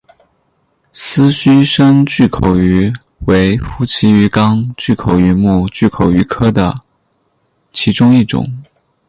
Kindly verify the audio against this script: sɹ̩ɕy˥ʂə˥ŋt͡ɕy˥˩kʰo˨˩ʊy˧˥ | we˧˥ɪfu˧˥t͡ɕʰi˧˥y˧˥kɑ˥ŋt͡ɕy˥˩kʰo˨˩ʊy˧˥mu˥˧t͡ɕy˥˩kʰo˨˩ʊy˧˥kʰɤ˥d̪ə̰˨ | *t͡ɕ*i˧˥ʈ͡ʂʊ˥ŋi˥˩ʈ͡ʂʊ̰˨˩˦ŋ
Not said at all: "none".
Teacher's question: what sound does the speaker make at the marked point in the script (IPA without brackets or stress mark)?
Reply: t͡ɕʰ